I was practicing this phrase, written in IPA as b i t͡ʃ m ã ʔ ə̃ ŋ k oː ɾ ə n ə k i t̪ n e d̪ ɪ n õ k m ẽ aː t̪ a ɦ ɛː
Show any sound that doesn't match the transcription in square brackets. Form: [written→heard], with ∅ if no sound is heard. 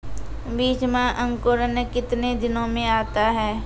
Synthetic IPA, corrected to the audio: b [i→iː] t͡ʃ m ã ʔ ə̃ ŋ k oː ɾ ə n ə k [i→ɪ] t̪ n e d̪ ɪ n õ [k→∅] m ẽ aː t̪ a ɦ ɛː